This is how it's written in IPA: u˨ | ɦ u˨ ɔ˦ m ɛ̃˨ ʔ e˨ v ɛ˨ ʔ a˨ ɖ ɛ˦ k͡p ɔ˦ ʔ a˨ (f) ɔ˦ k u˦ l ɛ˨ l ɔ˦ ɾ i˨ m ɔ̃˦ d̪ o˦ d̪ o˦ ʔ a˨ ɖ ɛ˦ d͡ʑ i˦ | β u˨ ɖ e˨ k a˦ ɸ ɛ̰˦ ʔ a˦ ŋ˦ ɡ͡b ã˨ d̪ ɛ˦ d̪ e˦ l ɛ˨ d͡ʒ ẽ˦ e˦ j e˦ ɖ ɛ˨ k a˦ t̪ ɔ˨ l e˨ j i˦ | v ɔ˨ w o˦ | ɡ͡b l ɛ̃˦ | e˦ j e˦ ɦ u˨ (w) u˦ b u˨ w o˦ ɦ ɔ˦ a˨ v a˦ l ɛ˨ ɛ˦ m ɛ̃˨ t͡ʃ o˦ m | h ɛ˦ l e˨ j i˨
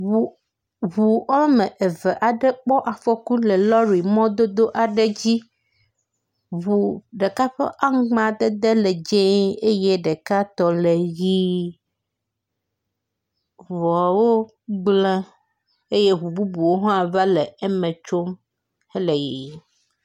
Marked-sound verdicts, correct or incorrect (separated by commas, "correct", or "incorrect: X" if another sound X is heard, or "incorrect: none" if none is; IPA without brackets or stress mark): correct, incorrect: b